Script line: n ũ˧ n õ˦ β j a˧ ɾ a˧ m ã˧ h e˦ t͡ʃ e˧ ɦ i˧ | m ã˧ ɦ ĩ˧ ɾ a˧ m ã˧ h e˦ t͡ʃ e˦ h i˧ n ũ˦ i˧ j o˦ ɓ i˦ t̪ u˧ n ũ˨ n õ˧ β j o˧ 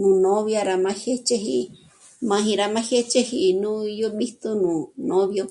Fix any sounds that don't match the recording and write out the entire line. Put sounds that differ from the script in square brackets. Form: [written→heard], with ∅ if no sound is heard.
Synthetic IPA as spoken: n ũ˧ n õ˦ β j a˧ ɾ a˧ m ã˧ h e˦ t͡ʃ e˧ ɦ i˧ | m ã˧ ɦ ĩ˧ ɾ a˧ m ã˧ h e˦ t͡ʃ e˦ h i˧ n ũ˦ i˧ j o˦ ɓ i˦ t̪ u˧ n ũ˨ n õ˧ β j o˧